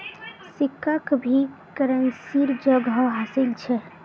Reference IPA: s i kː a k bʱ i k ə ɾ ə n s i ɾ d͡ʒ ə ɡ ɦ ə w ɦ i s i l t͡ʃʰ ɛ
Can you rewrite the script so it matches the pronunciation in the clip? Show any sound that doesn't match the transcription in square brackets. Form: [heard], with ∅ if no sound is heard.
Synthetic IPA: s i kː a k bʱ i k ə ɾ ə n s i ɾ d͡ʒ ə ɡ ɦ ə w ɦ [a] s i l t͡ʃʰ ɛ